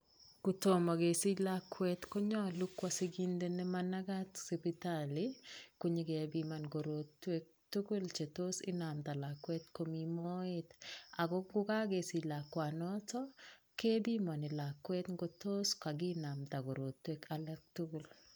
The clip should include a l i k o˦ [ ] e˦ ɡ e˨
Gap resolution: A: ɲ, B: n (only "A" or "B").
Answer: A